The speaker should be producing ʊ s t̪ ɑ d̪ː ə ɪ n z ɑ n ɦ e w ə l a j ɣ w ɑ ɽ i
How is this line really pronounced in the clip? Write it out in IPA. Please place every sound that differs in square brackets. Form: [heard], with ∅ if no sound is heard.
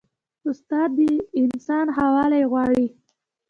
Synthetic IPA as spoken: ʊ s t̪ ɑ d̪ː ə ɪ n [s] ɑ n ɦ [a] w [ɑ] l a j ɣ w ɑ ɽ i